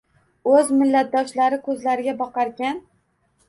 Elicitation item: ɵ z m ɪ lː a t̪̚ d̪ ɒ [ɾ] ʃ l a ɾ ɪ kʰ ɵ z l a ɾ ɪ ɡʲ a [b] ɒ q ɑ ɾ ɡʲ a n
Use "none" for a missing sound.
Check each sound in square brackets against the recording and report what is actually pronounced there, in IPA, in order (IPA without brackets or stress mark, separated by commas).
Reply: none, b